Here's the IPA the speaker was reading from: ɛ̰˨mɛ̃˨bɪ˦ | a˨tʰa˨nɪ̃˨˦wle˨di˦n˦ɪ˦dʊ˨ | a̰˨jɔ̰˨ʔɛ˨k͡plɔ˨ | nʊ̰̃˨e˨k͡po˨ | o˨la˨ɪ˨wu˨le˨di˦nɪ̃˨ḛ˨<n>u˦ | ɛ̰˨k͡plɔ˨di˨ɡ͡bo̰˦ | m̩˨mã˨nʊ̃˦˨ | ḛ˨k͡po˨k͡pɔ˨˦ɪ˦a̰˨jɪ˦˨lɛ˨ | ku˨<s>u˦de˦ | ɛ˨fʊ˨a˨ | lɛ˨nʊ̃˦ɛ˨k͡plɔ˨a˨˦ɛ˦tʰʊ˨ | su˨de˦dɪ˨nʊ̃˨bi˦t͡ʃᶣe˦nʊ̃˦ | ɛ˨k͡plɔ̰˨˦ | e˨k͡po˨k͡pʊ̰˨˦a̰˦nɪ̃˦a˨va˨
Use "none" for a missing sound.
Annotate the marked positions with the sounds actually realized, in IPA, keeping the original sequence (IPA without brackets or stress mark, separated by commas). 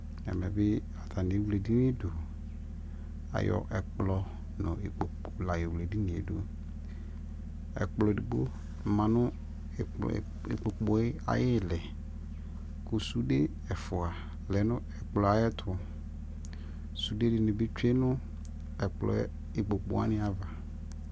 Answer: d, s